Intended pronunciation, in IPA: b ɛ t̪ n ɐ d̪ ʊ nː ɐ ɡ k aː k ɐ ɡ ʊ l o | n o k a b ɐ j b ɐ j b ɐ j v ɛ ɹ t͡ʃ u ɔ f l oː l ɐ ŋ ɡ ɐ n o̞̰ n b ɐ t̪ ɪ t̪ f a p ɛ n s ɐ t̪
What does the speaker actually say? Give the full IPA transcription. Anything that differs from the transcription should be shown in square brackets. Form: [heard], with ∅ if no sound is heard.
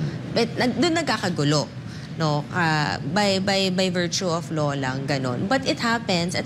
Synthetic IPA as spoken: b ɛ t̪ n ɐ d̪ ʊ nː ɐ ɡ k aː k ɐ ɡ ʊ l o | n o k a b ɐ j b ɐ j b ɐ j v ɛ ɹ t͡ʃ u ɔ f l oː l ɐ ŋ ɡ ɐ n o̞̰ n b ɐ t̪ ɪ t̪ [h] a p ɛ n s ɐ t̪